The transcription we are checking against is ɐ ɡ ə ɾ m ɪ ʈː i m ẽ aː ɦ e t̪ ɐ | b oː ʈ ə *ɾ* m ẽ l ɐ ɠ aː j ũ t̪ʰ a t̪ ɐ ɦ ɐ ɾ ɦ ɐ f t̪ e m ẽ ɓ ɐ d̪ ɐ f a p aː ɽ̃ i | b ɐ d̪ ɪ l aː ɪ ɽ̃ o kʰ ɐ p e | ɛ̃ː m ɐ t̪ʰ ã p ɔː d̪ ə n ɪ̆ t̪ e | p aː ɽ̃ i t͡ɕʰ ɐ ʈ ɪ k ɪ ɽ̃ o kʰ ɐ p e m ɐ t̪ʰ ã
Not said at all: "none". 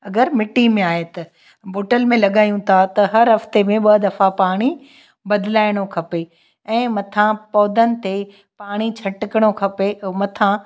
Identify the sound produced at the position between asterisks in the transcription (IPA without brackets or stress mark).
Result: l